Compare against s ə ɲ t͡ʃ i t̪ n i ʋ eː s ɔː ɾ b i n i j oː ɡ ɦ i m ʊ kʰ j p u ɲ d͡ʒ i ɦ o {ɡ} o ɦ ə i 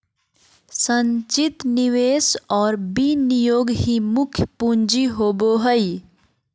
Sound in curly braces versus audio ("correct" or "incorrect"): incorrect